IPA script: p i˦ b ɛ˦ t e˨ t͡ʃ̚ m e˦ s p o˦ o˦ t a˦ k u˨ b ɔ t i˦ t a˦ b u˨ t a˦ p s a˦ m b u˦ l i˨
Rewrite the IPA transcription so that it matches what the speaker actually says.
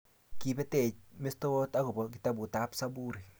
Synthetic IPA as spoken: k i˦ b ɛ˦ t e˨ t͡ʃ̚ m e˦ s t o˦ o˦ t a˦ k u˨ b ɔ k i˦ t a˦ b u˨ t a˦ p s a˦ b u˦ ɾ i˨

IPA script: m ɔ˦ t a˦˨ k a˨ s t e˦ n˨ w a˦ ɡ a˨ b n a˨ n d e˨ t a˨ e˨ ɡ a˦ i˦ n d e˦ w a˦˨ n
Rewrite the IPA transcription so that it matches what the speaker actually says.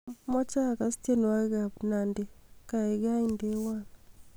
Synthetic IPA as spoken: m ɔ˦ t͡ʃ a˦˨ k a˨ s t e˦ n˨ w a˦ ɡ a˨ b n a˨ n d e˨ k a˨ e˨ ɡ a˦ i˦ n d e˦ w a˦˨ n

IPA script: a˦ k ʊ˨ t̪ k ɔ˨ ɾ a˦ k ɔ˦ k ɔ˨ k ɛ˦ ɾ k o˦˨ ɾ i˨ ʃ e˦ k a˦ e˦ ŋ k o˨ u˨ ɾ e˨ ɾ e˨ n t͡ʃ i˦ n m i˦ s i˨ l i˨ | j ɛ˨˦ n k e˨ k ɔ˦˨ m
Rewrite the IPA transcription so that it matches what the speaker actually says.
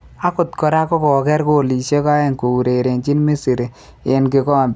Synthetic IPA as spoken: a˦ k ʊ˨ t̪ k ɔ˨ ɾ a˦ k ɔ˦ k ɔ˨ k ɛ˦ ɾ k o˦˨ l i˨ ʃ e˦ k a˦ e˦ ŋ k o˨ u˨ ɾ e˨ ɾ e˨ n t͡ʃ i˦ n m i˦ s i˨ ɾ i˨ | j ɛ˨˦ n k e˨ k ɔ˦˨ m

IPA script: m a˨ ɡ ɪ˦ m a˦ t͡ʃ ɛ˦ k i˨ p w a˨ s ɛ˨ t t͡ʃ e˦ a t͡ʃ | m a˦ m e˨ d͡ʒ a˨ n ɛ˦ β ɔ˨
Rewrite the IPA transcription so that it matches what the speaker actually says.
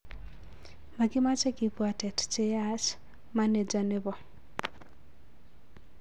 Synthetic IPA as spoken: m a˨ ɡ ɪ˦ m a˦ t͡ʃ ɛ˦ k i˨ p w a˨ t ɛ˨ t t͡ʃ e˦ a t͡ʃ | m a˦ n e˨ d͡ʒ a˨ n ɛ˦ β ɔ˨

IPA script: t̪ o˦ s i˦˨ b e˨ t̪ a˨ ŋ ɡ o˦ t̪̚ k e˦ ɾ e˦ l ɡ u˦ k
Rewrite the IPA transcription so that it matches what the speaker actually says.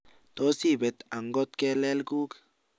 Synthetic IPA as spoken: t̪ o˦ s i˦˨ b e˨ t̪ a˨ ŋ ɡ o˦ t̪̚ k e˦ l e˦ l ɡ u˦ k

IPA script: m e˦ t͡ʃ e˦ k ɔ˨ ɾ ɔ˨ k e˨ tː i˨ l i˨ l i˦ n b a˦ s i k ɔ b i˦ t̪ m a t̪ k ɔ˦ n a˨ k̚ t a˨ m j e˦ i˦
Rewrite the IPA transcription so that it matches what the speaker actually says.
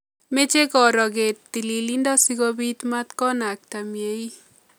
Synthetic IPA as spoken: m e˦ t͡ʃ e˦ k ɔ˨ ɾ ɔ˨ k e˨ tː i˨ l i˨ l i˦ n d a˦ s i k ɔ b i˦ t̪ m a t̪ k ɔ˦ n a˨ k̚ t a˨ m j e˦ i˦

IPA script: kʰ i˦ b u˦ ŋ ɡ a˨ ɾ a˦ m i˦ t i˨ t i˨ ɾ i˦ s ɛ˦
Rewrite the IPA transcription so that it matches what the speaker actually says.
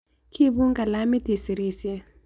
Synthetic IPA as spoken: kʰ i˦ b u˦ ŋ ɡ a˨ l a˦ m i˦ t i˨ s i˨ ɾ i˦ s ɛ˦

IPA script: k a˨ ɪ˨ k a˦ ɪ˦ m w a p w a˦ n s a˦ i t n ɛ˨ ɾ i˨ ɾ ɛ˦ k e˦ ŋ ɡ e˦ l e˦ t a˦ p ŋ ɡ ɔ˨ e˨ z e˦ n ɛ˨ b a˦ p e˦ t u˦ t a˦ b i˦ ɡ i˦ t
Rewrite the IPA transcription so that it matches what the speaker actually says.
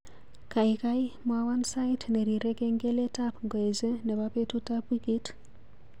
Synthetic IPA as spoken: k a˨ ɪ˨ k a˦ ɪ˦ m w a w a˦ n s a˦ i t n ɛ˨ ɾ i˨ ɾ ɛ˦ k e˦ ŋ ɡ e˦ l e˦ t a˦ p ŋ ɡ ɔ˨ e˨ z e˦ n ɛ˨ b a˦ p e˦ t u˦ t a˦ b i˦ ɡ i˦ t

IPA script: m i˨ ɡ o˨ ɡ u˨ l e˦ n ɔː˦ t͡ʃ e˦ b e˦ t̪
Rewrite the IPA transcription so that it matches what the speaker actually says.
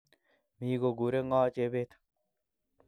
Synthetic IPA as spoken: m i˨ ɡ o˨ ɡ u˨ ɾ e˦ ŋ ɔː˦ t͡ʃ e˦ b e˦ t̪

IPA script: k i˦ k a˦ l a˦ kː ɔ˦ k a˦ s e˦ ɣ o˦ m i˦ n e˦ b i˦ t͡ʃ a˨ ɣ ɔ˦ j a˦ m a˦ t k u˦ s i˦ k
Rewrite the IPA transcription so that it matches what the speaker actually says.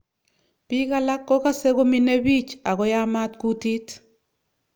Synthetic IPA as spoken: p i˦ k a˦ l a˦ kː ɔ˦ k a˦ s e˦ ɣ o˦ m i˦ n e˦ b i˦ t͡ʃ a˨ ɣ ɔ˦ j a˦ m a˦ t k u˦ t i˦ t

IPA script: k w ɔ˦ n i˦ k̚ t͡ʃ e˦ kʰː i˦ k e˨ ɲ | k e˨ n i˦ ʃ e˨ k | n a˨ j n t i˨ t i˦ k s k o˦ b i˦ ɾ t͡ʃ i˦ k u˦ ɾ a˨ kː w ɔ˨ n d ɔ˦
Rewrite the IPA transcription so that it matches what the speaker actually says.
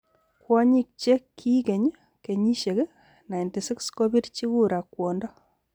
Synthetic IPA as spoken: k w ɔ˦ ɲ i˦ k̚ t͡ʃ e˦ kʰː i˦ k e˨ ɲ | k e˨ ɲ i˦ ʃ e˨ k | n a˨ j n t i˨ s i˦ k s k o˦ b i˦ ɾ t͡ʃ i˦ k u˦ ɾ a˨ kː w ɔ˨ n d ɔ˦

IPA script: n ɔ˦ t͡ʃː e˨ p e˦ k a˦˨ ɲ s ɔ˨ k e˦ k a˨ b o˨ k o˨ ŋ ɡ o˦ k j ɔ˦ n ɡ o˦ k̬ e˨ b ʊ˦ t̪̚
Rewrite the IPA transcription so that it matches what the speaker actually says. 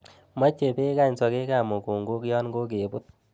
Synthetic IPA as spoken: m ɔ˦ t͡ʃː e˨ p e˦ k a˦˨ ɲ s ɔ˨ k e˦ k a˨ m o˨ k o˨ ŋ ɡ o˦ k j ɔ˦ n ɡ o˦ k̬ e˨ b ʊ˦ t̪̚

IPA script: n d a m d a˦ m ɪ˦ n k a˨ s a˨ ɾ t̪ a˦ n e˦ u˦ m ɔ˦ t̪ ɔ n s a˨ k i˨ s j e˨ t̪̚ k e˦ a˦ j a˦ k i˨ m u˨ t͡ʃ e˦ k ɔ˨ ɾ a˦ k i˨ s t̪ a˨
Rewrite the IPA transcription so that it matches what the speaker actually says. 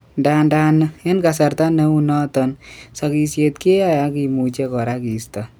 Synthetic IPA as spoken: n d a n d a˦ n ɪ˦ n k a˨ s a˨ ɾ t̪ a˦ n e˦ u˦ n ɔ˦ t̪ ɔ n s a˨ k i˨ s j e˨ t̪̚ k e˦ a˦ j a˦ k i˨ m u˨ t͡ʃ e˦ k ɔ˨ ɾ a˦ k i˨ s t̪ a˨

